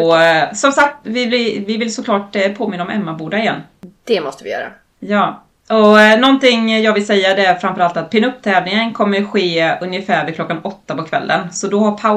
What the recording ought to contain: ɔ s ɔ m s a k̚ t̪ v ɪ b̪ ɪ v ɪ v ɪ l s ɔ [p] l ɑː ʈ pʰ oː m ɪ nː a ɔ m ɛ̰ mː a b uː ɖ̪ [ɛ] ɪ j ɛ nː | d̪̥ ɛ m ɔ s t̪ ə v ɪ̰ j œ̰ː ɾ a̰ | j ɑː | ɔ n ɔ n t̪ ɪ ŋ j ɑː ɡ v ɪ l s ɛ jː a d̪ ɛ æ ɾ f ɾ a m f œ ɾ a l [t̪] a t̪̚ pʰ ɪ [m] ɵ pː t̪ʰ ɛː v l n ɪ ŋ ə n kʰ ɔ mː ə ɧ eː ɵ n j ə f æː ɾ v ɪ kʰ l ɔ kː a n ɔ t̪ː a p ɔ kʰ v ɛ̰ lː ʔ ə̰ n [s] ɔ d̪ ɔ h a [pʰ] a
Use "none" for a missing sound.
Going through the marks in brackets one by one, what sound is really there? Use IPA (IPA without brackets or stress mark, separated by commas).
k, a, t̪, n, s, pʰ